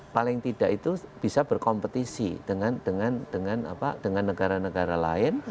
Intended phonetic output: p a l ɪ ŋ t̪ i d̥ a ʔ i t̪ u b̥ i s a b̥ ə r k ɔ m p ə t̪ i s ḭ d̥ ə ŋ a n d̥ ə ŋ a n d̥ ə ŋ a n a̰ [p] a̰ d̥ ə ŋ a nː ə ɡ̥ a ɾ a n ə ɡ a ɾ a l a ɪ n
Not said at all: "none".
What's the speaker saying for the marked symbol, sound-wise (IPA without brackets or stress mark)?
p